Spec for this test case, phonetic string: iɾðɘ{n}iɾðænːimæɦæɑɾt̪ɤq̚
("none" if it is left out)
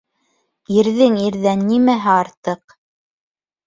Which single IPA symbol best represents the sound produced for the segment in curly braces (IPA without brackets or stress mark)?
ŋ